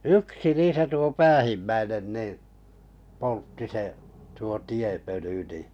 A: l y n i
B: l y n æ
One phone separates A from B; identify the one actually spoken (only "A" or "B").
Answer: A